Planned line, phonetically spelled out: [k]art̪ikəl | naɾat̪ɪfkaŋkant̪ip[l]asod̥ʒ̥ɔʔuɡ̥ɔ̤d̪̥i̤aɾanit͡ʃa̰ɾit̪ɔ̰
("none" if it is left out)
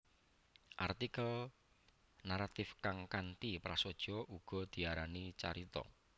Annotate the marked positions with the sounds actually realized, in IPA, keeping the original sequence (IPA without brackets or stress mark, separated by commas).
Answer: ʔ, ɾ